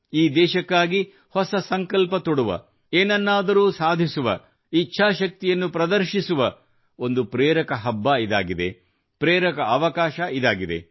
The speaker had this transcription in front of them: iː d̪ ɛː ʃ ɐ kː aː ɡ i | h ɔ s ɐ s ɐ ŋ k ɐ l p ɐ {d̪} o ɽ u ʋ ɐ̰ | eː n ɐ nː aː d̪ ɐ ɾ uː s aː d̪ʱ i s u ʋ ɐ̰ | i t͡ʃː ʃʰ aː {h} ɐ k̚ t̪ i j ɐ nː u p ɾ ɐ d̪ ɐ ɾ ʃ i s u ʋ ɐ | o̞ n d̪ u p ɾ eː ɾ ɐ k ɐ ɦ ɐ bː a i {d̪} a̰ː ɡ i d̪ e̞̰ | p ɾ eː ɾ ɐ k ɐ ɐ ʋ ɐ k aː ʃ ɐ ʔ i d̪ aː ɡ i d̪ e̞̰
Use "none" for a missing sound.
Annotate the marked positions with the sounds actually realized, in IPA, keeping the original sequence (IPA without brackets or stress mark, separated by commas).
t̪, ʃ, d̪